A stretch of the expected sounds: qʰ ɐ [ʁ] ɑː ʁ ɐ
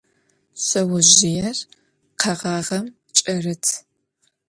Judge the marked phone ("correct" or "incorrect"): correct